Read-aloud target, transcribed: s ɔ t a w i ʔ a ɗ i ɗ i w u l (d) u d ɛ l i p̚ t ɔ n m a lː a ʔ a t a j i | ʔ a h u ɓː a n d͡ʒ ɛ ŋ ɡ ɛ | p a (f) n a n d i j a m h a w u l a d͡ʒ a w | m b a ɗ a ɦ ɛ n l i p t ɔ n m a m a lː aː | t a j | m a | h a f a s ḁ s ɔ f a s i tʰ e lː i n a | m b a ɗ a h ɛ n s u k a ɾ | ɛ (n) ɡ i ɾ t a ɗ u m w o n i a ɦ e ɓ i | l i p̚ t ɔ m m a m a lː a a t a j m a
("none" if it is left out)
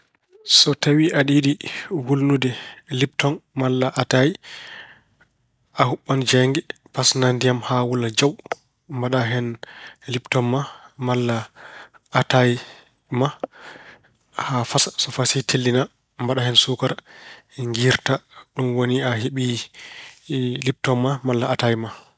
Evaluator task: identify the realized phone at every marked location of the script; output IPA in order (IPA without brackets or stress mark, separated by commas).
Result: n, s, ŋ